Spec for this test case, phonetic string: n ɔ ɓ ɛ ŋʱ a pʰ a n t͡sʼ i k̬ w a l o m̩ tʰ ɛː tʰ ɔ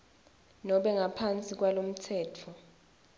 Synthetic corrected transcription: n ɔ ɓ ɛ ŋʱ a pʰ a n t͡sʼ i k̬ w a l o m̩ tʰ ɛː tʰ ɔ